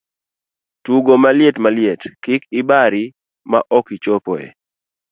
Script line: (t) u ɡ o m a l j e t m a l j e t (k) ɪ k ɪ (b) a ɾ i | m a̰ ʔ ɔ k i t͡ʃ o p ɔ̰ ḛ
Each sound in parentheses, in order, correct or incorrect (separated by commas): correct, correct, correct